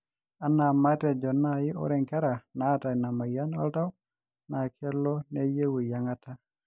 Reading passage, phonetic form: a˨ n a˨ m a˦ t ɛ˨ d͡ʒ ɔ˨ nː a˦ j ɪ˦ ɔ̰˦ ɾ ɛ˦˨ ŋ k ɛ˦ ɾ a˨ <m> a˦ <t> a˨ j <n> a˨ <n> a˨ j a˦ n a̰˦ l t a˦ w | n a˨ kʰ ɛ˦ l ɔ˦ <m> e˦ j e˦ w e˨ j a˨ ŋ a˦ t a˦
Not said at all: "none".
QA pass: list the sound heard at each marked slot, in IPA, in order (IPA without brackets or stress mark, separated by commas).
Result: n, t, n, m, n